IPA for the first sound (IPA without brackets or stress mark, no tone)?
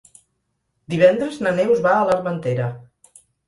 d̪